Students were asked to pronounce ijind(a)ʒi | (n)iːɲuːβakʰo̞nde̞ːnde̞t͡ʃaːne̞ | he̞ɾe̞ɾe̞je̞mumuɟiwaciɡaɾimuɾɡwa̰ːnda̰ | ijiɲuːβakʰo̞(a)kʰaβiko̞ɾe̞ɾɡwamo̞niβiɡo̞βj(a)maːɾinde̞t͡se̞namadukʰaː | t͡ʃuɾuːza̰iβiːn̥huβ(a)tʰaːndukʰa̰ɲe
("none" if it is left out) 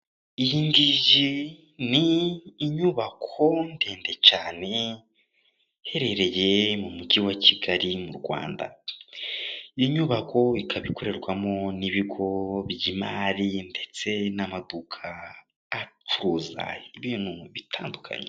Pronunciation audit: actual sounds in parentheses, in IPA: i, n, i, i, i

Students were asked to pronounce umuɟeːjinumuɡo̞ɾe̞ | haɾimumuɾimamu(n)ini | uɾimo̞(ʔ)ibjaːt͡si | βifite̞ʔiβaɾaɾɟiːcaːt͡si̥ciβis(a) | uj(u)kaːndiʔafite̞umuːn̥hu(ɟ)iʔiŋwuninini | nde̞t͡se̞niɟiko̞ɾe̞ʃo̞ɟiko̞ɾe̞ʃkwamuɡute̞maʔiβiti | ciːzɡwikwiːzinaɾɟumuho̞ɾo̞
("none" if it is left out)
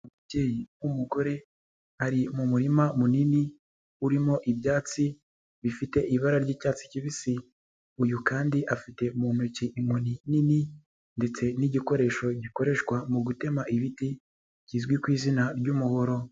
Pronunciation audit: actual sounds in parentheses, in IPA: n, ʔ, i, u, c

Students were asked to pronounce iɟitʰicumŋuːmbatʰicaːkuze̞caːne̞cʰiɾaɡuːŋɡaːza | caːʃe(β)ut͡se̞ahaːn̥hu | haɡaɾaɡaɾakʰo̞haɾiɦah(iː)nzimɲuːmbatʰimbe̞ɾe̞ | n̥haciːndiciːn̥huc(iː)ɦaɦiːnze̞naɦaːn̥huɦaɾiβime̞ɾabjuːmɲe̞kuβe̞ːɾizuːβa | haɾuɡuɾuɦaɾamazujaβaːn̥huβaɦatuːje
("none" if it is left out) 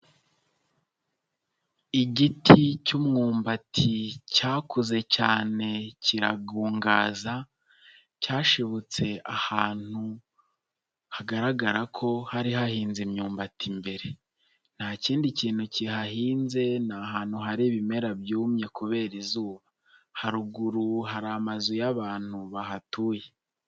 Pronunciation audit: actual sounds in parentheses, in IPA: β, iː, i

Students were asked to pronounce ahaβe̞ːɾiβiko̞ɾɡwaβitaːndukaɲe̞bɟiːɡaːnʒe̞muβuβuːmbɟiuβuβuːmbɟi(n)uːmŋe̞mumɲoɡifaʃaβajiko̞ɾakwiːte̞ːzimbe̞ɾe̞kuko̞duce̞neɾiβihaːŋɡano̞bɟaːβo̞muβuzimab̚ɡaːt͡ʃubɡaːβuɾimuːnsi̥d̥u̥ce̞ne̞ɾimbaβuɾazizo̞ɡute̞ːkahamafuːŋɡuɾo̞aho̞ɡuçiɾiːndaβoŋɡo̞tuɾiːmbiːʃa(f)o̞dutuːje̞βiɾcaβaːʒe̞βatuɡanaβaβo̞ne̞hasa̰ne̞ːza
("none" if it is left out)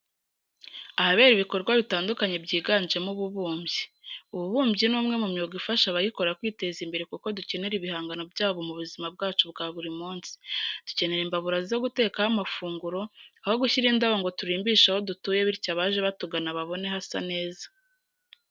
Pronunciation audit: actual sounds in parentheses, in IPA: n, h

